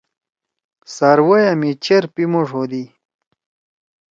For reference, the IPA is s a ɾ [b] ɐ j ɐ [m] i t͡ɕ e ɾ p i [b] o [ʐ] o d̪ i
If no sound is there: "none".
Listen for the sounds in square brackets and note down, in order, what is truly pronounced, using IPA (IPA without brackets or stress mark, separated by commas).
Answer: w, m, m, ʐ